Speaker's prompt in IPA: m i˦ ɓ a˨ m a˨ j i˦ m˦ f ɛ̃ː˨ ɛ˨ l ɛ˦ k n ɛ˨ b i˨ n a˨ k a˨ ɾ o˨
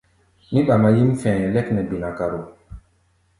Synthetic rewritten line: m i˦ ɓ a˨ m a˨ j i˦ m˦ f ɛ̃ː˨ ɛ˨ l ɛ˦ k n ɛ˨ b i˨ n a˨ k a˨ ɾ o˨